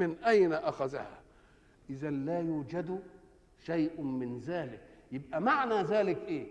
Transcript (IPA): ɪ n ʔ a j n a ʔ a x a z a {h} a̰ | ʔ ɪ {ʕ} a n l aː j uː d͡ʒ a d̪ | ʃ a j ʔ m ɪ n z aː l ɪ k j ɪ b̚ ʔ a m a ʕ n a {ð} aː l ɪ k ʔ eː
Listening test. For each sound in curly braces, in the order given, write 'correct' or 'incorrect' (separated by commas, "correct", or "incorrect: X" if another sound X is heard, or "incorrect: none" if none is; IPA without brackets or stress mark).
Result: correct, incorrect: z, incorrect: z